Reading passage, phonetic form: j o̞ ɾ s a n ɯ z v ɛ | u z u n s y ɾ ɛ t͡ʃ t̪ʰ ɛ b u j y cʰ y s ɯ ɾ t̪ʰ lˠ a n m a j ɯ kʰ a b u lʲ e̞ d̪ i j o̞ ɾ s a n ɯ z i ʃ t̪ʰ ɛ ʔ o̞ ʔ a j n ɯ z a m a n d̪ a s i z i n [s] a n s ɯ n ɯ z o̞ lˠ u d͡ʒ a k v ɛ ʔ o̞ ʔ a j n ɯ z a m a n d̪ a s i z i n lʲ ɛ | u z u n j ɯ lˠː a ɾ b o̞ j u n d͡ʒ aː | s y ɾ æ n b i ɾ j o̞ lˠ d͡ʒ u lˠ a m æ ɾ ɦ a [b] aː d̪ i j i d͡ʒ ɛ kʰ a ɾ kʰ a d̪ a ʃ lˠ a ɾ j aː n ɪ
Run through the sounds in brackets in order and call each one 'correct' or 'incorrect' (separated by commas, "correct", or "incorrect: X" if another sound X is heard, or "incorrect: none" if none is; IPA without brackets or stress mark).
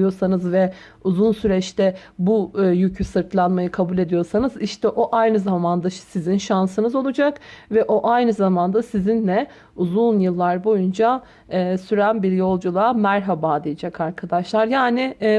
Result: incorrect: ʃ, correct